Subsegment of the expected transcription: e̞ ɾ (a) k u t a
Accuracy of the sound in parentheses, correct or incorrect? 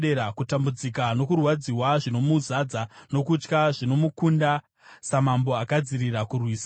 correct